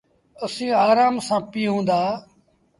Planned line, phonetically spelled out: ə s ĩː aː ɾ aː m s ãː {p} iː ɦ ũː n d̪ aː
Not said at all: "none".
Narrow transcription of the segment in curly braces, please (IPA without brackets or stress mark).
p